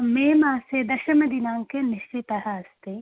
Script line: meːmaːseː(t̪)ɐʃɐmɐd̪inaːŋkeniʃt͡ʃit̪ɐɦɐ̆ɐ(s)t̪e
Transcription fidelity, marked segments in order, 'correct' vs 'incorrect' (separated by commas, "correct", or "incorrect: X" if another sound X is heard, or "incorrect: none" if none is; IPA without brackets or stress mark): incorrect: d̪, correct